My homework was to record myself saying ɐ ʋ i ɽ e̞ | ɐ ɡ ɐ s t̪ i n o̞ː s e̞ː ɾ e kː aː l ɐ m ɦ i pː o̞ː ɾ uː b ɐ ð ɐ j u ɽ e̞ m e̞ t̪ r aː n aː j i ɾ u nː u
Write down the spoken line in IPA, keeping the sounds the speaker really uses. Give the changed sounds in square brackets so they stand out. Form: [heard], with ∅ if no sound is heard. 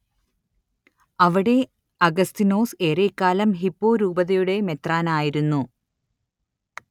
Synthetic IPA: ɐ ʋ i ɽ e̞ | ɐ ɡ ɐ s t̪ i n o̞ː s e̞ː ɾ e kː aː l ɐ m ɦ i pː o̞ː ɾ uː b ɐ ð ɐ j u ɽ e̞ m e̞ t̪ r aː n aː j i ɾ u nː u